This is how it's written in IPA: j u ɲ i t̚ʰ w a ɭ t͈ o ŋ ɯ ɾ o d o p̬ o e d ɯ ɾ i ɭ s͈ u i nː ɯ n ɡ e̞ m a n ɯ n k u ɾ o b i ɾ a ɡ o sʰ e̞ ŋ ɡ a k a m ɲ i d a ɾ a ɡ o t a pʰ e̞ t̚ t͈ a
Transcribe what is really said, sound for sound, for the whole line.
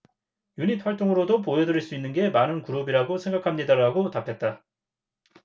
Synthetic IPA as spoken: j u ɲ i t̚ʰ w a ɭ t͈ o ŋ ɯ ɾ o d o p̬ o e d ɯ ɾ i ɭ s͈ u i nː ɯ n ɡ e̞ m a n ɯ n k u ɾ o b i ɾ a ɡ o sʰ e̞ ŋ ɡ a kʰ a m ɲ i d a ɾ a ɡ o t a pʰ e̞ t̚ t͈ a